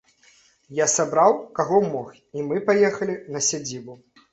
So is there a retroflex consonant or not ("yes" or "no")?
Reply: no